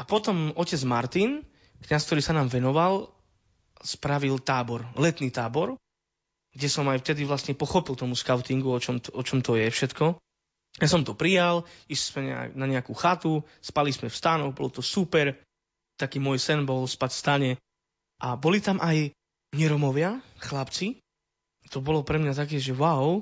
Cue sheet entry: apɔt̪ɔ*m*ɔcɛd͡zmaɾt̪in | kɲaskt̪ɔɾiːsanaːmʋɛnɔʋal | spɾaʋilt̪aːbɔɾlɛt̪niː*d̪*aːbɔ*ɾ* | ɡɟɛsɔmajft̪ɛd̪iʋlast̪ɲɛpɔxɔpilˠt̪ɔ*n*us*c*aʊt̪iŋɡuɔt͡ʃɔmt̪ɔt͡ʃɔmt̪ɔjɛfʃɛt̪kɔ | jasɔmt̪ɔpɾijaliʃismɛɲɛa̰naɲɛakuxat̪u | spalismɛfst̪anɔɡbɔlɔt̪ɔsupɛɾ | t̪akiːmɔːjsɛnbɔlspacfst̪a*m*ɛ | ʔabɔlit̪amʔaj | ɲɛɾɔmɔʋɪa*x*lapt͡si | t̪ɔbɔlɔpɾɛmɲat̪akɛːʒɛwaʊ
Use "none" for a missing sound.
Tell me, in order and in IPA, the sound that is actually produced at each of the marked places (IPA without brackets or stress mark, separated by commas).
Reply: m, t̪, ɾ, m, k, ɲ, x